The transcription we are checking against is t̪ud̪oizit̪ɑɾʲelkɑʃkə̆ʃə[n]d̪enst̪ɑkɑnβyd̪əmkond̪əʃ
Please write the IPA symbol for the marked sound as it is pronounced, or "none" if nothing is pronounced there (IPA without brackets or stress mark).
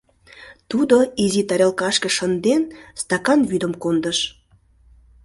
n